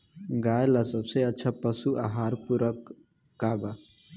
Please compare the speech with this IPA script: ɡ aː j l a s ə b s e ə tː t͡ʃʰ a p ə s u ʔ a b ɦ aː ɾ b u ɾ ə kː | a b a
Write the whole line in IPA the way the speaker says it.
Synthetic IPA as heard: ɡ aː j l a s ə b s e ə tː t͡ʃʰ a p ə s u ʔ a ɦ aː ɾ p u ɾ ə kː | a b a